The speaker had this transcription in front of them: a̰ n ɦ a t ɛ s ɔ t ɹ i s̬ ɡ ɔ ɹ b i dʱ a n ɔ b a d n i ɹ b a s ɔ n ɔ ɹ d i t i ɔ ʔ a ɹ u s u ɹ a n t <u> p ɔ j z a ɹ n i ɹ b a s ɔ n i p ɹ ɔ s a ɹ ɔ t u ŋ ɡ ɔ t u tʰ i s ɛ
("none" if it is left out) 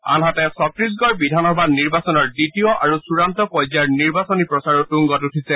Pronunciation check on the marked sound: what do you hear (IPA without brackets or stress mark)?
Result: ɔ